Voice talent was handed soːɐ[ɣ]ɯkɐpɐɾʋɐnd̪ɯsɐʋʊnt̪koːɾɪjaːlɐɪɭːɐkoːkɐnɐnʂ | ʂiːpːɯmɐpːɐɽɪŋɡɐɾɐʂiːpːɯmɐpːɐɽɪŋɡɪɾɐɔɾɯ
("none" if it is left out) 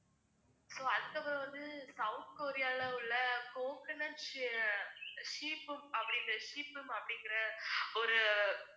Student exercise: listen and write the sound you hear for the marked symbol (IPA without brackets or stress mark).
ð